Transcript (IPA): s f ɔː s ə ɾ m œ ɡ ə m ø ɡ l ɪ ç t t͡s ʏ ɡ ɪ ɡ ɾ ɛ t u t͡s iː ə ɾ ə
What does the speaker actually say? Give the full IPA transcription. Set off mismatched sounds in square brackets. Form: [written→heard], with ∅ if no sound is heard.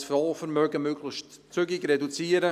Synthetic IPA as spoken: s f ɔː [s→f] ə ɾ m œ ɡ ə m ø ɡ l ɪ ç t t͡s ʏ ɡ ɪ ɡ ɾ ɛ [t→d] u t͡s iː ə ɾ ə

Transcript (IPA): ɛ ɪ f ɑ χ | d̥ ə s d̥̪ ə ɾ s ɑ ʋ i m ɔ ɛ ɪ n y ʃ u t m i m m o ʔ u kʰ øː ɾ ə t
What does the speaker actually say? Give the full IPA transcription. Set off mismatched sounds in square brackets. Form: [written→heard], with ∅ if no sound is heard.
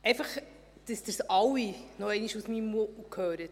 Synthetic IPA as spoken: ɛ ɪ f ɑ χ | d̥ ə s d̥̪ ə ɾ s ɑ [ʋ→w] i [m→n] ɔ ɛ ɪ n [y→i] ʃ u [t→s] m i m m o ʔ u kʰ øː ɾ ə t

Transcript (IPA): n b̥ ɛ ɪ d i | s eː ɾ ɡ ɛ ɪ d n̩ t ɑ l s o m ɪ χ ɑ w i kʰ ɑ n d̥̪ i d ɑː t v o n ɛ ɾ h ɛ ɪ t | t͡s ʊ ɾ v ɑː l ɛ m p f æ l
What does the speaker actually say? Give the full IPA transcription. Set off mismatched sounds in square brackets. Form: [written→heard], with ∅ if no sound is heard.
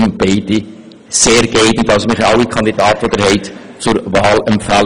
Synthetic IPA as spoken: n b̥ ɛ ɪ d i | s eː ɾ ɡ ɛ ɪ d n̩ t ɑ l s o m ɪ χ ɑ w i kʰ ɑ n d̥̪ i d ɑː t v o [n→d] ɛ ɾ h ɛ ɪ t | t͡s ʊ ɾ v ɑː l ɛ m p f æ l

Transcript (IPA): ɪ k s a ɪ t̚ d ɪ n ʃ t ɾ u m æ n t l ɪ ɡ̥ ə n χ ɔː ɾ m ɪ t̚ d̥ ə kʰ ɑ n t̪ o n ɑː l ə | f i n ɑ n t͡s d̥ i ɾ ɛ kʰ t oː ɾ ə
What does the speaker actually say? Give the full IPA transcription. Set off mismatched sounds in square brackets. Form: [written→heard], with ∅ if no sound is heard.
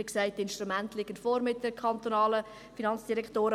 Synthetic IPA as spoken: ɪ k s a ɪ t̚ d ɪ n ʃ t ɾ u m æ n t l ɪ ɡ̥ ə n [χ→f] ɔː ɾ m ɪ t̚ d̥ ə kʰ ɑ n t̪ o n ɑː l ə | f i n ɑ n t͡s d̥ i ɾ ɛ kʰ t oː ɾ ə

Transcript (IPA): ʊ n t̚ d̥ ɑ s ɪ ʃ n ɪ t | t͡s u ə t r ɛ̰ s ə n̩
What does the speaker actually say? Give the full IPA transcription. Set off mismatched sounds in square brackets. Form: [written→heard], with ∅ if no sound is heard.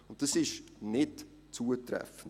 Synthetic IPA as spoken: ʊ n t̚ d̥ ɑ s ɪ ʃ n ɪ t | t͡s u ə t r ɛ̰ [s→f] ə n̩

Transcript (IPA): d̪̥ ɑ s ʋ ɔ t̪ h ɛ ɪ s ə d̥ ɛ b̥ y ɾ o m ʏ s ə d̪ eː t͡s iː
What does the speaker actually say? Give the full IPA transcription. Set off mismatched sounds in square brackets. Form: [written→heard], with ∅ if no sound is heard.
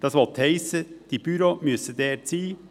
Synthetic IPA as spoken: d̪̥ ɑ s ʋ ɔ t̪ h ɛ ɪ s ə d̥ [ɛ→i] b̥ y ɾ o m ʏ s ə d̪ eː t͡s iː

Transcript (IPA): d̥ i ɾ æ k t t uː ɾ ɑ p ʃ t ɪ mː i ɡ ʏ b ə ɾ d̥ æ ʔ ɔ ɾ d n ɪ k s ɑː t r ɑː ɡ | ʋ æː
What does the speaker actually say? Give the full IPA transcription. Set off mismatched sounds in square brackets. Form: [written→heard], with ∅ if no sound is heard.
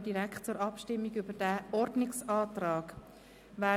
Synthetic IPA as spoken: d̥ i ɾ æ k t [t→t͡s] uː ɾ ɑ p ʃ t ɪ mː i ɡ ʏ b ə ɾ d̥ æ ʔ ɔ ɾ d n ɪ k s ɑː t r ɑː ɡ | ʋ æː

